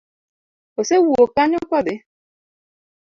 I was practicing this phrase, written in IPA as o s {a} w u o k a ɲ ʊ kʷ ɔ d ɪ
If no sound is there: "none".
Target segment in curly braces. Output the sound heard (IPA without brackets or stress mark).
e